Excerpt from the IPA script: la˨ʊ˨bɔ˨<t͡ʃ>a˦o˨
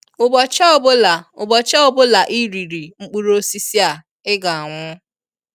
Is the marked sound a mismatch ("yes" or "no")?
no